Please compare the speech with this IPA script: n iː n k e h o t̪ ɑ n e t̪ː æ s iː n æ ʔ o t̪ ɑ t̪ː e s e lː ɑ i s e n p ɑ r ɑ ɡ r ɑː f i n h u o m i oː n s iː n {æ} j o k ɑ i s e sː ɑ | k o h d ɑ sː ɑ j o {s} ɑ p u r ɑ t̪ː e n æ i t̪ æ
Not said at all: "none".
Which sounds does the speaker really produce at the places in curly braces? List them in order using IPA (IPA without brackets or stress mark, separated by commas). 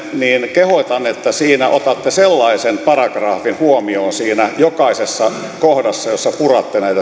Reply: æ, sː